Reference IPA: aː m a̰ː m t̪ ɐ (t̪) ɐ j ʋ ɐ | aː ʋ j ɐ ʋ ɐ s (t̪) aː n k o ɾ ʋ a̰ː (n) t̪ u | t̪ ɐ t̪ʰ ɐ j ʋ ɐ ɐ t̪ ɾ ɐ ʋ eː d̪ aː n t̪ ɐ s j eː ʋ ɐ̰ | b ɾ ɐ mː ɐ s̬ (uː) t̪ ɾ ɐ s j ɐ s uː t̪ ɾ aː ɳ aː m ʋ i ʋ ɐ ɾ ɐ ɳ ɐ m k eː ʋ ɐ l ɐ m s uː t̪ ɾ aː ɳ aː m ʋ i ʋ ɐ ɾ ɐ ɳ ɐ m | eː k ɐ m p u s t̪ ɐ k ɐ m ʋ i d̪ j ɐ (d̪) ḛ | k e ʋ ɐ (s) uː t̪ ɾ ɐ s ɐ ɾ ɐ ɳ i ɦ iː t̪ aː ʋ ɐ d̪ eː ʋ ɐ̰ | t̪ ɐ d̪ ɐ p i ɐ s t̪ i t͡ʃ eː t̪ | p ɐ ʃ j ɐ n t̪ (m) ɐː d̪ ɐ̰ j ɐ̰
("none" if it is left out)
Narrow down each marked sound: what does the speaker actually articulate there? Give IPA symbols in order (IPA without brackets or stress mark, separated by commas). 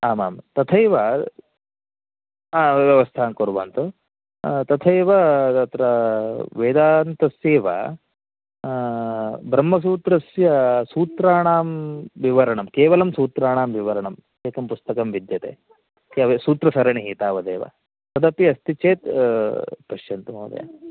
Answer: t̪ʰ, t̪ʰ, n, uː, t̪, s, m